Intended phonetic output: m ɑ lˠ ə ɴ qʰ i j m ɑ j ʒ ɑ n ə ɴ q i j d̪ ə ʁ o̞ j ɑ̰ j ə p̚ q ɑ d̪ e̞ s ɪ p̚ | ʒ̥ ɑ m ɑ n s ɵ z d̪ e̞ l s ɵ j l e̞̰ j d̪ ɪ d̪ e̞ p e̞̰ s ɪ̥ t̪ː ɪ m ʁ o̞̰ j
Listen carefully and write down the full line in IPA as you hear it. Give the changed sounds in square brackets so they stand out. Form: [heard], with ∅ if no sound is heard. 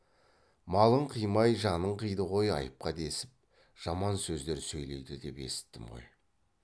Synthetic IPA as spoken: m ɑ lˠ ə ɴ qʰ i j m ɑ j ʒ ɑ n ə ɴ q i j d̪ ə ʁ o̞ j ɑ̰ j ə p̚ q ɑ d̪ e̞ s ɪ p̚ | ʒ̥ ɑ m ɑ n s ɵ z d̪ e̞ [ɾ] s ɵ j l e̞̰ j d̪ ɪ d̪ e̞ p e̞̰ s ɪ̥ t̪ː ɪ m ʁ o̞̰ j